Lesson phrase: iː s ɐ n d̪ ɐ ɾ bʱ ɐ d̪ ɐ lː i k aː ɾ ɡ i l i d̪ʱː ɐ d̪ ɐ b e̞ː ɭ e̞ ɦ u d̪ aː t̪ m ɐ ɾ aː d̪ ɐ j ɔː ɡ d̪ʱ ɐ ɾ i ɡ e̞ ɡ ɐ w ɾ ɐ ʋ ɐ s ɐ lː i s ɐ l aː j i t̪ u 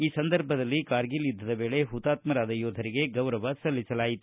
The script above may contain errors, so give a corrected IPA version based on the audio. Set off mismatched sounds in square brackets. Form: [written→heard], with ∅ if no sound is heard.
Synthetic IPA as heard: iː s ɐ n d̪ ɐ ɾ bʱ ɐ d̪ ɐ lː i k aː ɾ ɡ i l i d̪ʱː ɐ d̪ ɐ b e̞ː ɭ e̞ ɦ u [d̪→t̪] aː t̪ m ɐ ɾ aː d̪ ɐ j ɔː [ɡ→∅] d̪ʱ ɐ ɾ i ɡ e̞ ɡ ɐ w ɾ ɐ ʋ ɐ s ɐ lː i s ɐ l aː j i t̪ u